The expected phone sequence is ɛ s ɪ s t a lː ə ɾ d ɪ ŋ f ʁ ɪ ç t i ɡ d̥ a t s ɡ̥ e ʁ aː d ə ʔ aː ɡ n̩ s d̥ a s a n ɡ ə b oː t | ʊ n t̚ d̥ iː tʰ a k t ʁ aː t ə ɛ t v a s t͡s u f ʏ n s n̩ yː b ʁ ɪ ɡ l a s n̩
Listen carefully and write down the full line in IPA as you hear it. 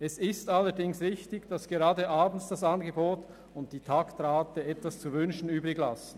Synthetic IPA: ɛ s ɪ s t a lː ə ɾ d ɪ ŋ s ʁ ɪ ç t ɪ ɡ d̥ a s ɡ̥ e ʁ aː d ə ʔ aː b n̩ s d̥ a s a n ɡ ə b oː t | ʊ n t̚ d̥ iː tʰ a k t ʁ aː t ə ɛ t v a s t͡s u v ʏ n ʃ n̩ yː b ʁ ɪ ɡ l a s n̩